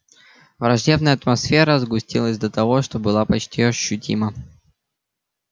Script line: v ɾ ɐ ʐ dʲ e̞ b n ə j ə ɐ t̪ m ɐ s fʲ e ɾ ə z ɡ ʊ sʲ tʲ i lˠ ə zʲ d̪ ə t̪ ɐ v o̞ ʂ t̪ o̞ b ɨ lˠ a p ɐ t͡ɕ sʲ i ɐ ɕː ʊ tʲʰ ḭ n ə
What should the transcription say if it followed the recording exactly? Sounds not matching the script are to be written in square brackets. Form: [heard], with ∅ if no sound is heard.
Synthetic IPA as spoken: v ɾ ɐ ʐ dʲ e̞ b n ə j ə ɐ t̪ m ɐ s fʲ e ɾ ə z ɡ ʊ sʲ tʲ i lˠ ə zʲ d̪ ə t̪ ɐ v o̞ ʂ t̪ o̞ b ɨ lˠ a p ɐ t͡ɕ [tʲ] i ɐ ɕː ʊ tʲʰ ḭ [m] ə

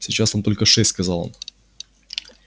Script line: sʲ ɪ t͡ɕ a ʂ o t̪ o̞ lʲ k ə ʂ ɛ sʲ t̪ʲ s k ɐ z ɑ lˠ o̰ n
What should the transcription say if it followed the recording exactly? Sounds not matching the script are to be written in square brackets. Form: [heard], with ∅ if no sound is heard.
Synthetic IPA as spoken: sʲ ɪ t͡ɕ a [s] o t̪ o̞ lʲ k ə ʂ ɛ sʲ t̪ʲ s k ɐ z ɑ lˠ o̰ n

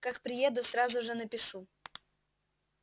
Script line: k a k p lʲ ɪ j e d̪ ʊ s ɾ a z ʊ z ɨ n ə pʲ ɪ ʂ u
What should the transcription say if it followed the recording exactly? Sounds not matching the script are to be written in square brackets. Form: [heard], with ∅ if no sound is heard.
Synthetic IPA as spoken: k a k p [ɾʲ] ɪ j e d̪ ʊ s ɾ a z ʊ [ʐ] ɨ n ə pʲ ɪ ʂ u

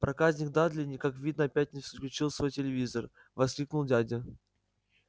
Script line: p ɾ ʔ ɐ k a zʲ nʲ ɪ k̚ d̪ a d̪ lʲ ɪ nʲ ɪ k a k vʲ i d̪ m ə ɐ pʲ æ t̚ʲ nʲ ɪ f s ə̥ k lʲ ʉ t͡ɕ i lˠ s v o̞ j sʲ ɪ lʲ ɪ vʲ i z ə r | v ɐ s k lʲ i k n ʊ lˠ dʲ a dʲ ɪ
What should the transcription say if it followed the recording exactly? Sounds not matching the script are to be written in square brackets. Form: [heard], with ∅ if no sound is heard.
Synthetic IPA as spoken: p ɾ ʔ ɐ k a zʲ nʲ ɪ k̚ d̪ a d̪ lʲ ɪ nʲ ɪ k a k vʲ i d̪ [n] ə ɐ pʲ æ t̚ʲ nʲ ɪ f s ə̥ k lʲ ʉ t͡ɕ i lˠ s v o̞ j [tʲ] ɪ lʲ ɪ vʲ i z ə r | v ɐ s k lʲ i k n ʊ lˠ dʲ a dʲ ɪ

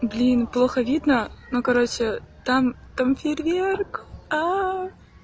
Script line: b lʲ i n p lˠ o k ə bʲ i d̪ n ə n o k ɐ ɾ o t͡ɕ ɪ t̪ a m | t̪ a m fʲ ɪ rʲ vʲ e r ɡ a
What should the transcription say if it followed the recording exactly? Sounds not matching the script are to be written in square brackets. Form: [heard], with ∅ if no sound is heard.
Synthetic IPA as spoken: b lʲ i n p lˠ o [x] ə [vʲ] i d̪ n ə n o k ɐ ɾ o t͡ɕ ɪ t̪ a m | t̪ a m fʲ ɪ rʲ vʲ e r [k] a

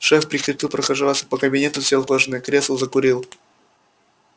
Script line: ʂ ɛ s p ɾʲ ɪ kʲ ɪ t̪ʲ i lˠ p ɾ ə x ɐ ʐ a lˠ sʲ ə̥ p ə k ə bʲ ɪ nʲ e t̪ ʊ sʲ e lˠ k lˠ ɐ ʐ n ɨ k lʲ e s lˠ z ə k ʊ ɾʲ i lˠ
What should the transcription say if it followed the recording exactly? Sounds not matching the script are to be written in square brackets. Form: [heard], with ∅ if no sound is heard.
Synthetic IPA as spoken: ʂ ɛ [f] p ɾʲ ɪ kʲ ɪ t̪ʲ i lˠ p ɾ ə x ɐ ʐ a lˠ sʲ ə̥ p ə k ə bʲ ɪ nʲ e t̪ ʊ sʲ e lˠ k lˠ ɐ ʐ n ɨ k [ɾʲ] e s lˠ z ə k ʊ ɾʲ i lˠ

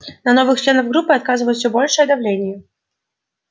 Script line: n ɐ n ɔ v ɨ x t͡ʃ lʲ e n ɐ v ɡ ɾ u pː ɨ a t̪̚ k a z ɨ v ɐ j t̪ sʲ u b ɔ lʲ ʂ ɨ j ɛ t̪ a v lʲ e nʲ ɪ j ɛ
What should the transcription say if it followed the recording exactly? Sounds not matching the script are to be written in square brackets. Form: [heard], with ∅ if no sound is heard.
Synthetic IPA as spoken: n ɐ n ɔ v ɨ x t͡ʃ lʲ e n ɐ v ɡ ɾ u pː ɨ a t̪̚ k a z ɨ v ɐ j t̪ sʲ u b ɔ lʲ ʂ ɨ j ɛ [d̪] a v lʲ e nʲ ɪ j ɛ

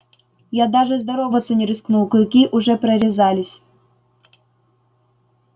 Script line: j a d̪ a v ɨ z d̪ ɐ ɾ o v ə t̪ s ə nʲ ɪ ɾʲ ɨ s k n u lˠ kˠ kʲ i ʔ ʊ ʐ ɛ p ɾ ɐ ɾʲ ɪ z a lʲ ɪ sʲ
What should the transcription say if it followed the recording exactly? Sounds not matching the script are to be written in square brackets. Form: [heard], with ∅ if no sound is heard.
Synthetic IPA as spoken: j a d̪ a [ʐ] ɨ z d̪ ɐ ɾ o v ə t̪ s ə nʲ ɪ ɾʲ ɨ s k n u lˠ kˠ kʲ i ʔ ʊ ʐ ɛ p ɾ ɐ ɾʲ ɪ z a lʲ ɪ sʲ

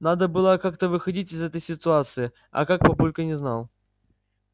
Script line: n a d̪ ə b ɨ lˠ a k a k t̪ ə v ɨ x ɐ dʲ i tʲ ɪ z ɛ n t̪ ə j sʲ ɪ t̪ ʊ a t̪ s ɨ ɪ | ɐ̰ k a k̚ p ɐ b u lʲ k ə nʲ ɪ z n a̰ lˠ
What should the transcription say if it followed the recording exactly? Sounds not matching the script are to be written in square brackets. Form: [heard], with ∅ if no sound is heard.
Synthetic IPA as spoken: n a d̪ ə b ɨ lˠ [ə] k a k t̪ ə v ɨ x ɐ dʲ i tʲ ɪ z ɛ [∅] t̪ ə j sʲ ɪ t̪ ʊ a t̪ s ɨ ɪ | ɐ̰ k a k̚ p ɐ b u lʲ k ə nʲ ɪ z n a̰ lˠ

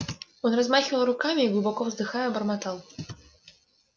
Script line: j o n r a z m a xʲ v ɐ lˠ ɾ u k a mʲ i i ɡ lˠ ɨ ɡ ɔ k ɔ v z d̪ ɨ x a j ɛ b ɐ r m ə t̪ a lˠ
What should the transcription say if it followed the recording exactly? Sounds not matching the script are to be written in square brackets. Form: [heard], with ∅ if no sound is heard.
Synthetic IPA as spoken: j [ɔ] n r a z m a xʲ v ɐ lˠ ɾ u k a mʲ i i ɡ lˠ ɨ [b] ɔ k ɔ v z d̪ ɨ x a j ɛ b ɐ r m [a] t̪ a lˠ

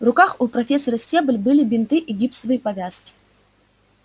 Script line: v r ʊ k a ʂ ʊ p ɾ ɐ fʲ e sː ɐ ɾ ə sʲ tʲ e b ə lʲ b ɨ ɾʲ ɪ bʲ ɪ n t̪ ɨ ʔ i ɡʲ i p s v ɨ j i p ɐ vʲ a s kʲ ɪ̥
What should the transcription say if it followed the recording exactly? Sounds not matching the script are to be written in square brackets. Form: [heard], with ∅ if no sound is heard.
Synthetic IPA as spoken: v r ʊ k a [x] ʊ p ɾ ɐ fʲ e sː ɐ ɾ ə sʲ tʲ e b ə lʲ b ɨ [lʲ] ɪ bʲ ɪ n t̪ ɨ ʔ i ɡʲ i p s v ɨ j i p ɐ vʲ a s kʲ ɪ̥

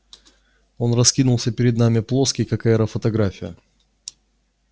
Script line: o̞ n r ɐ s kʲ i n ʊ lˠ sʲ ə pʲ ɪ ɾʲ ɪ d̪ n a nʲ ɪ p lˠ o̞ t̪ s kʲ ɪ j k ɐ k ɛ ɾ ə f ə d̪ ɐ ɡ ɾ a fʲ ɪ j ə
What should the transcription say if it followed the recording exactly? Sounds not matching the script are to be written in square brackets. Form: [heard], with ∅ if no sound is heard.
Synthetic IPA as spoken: o̞ n r ɐ s kʲ i n ʊ lˠ sʲ ə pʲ ɪ ɾʲ ɪ d̪ n a [mʲ] ɪ p lˠ o̞ [∅] s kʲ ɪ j k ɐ k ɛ ɾ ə f ə [t̪] ɐ ɡ ɾ a fʲ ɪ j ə

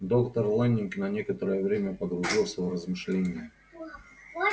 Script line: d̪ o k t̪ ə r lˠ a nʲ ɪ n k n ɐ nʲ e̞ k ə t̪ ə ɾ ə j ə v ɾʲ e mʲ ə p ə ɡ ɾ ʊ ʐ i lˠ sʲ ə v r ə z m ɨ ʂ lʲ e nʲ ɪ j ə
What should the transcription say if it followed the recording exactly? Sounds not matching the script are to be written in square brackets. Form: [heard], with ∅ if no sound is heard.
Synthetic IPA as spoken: d̪ o k t̪ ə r lˠ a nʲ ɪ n k n ɐ nʲ e̞ k ə t̪ ə ɾ ə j ə v ɾʲ e mʲ ə p ə ɡ ɾ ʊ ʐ i lˠ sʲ ə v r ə z m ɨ ʂ lʲ e nʲ ɪ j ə

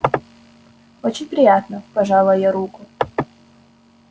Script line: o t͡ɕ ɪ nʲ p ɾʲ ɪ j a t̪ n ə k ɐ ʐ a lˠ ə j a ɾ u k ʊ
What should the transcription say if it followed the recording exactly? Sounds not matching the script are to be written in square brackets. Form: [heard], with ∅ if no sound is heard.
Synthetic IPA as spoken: o t͡ɕ ɪ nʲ p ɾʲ ɪ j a t̪ n ə [p] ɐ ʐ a lˠ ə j a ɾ u k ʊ

